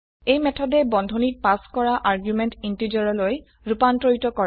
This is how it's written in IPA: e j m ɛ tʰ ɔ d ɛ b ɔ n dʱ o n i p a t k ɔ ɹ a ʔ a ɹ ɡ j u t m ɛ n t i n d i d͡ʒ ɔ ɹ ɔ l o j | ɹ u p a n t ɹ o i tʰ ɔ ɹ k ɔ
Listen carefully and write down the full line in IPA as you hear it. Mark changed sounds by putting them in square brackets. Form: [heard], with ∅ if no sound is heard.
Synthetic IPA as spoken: e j m ɛ tʰ ɔ d ɛ b ɔ n dʱ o n i p a [s] k ɔ ɹ a ʔ a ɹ ɡ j u [∅] m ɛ n t i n [t] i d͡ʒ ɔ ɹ ɔ l o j | ɹ u p a n t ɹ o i [t] ɔ [∅] k ɔ

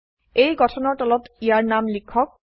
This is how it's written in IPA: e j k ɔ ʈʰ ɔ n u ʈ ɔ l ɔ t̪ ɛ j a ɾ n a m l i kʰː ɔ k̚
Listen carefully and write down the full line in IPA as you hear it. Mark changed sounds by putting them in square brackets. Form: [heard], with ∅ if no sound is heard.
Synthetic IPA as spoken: e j [ɡ] ɔ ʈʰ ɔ n [ɔ] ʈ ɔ l ɔ t̪ [i] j a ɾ n a m l i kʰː ɔ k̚

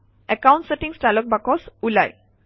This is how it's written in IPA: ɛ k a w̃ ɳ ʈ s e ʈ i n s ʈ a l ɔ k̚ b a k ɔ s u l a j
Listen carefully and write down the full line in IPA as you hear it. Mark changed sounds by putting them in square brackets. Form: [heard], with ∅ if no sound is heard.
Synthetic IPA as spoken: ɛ k a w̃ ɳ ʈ s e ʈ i [ŋ] s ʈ a l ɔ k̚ b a k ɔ s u l a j

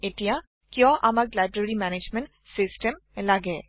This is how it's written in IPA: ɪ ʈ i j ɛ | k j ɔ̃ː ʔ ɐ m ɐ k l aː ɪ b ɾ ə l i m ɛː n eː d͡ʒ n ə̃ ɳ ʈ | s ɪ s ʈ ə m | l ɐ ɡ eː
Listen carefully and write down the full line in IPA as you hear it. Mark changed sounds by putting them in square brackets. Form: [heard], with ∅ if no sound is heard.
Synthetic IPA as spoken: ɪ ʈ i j [a] | k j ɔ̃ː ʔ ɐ m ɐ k l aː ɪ b ɾ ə [ɾ] i m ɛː n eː d͡ʒ [m] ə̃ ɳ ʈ | s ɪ s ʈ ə m | l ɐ ɡ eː

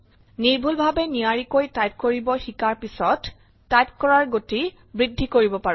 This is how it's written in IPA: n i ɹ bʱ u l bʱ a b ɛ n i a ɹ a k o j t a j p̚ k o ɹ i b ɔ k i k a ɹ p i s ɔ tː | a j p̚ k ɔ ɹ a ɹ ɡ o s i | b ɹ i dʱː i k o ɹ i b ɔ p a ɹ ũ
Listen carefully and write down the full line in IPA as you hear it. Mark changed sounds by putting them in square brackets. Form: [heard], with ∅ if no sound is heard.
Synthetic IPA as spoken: n i ɹ bʱ u l bʱ a b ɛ n i a ɹ [i] k o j t a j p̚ k o ɹ i b ɔ [x] i k a ɹ p i s ɔ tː | a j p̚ k ɔ ɹ a ɹ ɡ o [t] i | b ɹ i dʱː i k o ɹ i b ɔ p a ɹ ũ

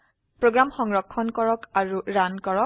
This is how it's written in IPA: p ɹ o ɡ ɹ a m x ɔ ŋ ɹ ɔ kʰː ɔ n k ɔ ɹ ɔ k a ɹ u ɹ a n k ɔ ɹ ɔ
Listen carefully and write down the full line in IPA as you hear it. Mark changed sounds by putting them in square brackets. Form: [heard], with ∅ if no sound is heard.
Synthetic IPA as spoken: p ɹ o ɡ ɹ a m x ɔ ŋ ɹ ɔ kʰː ɔ n k ɔ ɹ ɔ k a ɹ u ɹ a n k ɔ ɹ ɔ

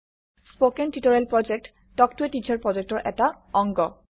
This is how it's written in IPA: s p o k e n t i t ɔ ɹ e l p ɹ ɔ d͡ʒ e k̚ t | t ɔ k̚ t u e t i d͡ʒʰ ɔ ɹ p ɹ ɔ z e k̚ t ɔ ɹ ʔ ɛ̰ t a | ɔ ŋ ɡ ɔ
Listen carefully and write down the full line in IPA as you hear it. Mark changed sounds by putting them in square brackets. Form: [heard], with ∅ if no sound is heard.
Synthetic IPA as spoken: s p o k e n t i t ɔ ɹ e l p ɹ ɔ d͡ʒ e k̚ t | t ɔ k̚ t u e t i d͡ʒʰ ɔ ɹ p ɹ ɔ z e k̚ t ɔ ɹ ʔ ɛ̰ t a | ɔ ŋ ɡ ɔ

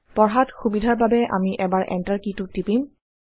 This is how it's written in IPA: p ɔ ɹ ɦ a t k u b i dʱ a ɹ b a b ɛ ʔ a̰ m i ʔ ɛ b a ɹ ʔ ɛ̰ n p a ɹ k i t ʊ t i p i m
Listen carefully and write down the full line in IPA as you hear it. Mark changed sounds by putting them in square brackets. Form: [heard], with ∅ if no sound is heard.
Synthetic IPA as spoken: p ɔ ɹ ɦ a t [x] u b i dʱ a ɹ b a b ɛ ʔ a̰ m i ʔ ɛ b a ɹ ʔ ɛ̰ n [t] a ɹ k i t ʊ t i p i m

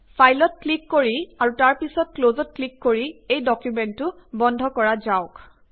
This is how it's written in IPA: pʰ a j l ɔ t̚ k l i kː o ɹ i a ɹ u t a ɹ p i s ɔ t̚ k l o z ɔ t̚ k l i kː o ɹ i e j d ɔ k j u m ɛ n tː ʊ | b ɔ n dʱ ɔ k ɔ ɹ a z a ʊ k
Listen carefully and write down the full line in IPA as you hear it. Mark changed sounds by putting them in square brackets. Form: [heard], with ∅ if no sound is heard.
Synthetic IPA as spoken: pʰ a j l ɔ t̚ k l i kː o ɹ i a ɹ u t a ɹ p i s ɔ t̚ k l o z ɔ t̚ k l i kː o ɹ i e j d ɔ k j u m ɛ n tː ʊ | b ɔ n dʱ ɔ k ɔ ɹ a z a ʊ k

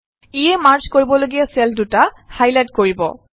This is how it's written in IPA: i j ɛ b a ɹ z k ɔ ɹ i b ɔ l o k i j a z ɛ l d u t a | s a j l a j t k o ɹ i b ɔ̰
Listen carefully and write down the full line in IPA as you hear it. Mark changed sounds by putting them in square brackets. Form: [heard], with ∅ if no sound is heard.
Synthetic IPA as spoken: i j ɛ [m] a ɹ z k [o] ɹ i b ɔ l o [ɡ] i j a [s] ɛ l d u t a | [h] a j l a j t k o ɹ i b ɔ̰

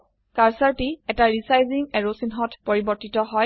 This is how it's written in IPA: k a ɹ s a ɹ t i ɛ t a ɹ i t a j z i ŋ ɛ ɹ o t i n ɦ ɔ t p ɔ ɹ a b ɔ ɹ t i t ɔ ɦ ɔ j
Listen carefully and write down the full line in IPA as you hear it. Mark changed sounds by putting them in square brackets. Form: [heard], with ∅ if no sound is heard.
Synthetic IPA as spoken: k a ɹ s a ɹ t i ɛ t a ɹ i [s] a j z i ŋ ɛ ɹ o [s] i n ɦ ɔ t p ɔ ɹ [i] b ɔ ɹ t i t ɔ ɦ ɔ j

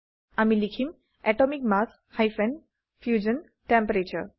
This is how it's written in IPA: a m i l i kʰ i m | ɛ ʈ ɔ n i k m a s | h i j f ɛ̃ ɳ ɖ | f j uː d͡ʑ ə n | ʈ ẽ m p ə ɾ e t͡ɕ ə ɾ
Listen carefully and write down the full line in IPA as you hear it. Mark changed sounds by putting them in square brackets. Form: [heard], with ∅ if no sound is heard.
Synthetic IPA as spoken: a m i l i kʰ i m | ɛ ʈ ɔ [m] i k m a s | h [a] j f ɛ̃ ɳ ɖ | f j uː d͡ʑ ə n | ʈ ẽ m p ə ɾ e t͡ɕ ə ɾ

